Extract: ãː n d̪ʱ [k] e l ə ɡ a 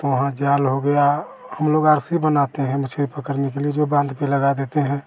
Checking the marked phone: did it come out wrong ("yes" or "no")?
yes